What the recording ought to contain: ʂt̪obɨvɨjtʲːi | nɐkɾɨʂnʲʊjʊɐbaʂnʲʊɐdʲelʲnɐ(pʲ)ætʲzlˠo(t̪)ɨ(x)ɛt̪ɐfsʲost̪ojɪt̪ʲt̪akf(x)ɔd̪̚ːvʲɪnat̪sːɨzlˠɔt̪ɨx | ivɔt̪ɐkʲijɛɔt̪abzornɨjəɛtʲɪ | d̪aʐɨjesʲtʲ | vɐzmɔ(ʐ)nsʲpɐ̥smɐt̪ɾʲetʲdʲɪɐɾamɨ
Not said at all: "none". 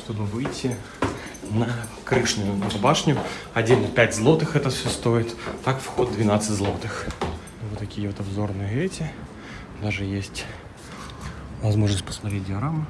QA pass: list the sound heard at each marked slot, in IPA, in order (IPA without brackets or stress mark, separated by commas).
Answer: pʲ, t̪, x, x, ʐ